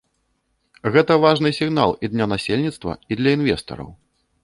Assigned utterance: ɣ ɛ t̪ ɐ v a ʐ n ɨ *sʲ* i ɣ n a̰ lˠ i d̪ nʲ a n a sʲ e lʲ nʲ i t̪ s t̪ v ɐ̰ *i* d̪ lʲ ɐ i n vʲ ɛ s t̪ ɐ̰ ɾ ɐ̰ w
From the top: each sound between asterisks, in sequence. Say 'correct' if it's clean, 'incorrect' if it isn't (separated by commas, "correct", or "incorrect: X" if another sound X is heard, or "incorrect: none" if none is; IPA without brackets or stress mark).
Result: correct, correct